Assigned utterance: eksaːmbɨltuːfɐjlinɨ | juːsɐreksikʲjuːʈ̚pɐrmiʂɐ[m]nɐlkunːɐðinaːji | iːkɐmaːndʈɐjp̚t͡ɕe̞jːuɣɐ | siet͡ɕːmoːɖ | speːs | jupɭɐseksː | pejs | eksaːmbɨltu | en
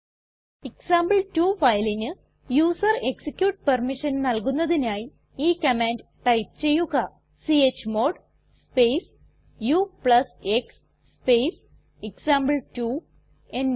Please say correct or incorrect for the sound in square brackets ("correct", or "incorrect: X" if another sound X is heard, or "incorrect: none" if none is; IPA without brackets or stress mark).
incorrect: n